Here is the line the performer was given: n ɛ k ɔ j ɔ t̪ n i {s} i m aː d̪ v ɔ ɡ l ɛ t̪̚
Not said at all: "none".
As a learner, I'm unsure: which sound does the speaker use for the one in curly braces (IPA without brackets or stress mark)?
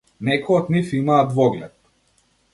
f